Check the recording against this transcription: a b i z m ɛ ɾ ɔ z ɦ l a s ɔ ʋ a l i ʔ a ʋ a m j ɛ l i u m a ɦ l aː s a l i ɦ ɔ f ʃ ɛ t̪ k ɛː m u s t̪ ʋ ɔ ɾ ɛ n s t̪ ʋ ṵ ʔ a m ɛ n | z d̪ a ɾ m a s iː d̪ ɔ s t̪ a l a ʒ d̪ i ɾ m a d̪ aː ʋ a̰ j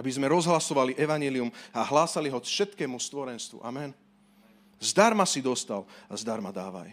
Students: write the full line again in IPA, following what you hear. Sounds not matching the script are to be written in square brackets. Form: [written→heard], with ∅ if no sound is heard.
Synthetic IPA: a b i z m ɛ ɾ ɔ z ɦ l a s ɔ ʋ a l i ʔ [a→ɛ] ʋ a [m→ɲ] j ɛ l i u m a ɦ l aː s a l i ɦ ɔ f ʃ ɛ t̪ k ɛː m u s t̪ ʋ ɔ ɾ ɛ n s t̪ ʋ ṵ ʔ a m ɛ n | z d̪ a ɾ m a s [iː→i] d̪ ɔ s t̪ a l a [ʒ→z] d̪ [i→a] ɾ m a d̪ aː ʋ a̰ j